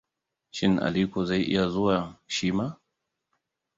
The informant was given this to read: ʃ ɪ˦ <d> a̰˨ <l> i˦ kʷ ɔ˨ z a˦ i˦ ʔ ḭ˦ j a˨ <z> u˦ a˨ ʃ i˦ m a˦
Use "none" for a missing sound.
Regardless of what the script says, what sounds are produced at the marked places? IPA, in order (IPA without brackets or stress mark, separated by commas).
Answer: n, l, z